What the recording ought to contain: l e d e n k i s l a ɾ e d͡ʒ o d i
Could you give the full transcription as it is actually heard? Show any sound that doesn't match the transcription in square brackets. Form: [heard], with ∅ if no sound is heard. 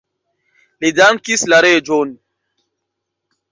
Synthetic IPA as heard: l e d [a] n k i s l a ɾ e d͡ʒ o [n] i